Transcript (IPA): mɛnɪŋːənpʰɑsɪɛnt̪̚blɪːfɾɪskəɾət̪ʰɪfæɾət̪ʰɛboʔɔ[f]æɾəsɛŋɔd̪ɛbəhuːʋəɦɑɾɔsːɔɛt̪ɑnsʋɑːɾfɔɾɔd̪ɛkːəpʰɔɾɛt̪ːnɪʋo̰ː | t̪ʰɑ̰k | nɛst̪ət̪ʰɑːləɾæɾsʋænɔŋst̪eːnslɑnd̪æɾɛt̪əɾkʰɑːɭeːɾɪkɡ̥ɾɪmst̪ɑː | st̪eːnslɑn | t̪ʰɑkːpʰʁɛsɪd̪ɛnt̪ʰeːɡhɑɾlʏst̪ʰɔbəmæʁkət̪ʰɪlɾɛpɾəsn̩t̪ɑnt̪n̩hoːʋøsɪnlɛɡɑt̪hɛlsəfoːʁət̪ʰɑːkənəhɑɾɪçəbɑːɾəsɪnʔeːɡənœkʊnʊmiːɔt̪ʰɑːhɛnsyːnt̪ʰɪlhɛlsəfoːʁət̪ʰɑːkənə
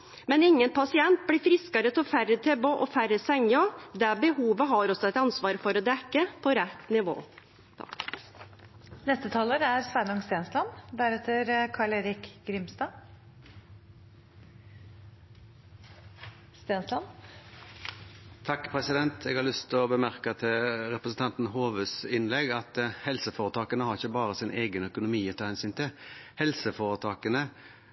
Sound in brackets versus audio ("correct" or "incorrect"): correct